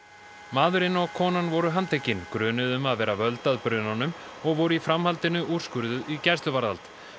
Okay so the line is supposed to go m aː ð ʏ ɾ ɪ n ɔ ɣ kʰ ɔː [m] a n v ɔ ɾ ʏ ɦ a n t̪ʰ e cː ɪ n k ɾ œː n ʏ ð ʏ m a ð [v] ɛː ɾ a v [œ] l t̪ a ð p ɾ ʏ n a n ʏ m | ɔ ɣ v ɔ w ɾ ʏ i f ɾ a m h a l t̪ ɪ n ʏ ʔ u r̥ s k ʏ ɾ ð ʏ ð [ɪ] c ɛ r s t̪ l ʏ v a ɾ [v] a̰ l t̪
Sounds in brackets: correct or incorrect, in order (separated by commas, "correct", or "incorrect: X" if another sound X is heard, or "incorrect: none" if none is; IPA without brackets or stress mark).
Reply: incorrect: n, correct, correct, incorrect: i, incorrect: ð